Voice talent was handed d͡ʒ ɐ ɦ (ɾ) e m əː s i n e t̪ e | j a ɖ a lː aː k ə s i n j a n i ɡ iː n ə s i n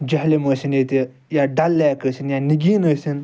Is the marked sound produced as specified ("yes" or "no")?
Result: no